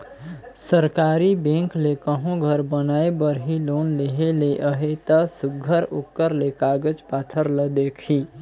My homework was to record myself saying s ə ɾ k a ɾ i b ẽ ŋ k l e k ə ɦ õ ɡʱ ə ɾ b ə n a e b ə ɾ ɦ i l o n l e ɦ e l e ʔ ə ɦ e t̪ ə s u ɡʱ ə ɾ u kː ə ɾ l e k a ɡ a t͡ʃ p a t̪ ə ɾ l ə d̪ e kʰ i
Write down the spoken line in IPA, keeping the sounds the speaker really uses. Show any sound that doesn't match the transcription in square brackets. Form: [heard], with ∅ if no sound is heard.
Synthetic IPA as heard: s ə ɾ k a ɾ i b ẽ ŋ k l e k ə ɦ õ ɡʱ ə ɾ b ə n a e b ə ɾ ɦ i l o n l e ɦ e l e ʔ ə ɦ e t̪ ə s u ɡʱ ə ɾ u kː ə ɾ l e k a ɡ [ə] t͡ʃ p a [t̪ʰ] ə ɾ l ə d̪ e kʰ i